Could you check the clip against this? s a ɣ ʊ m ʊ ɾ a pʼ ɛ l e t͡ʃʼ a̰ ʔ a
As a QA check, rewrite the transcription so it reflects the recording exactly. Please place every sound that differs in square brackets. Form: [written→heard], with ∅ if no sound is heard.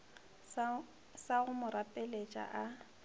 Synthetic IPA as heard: s a ɣ ʊ m ʊ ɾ a pʼ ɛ l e t͡ʃʼ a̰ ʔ a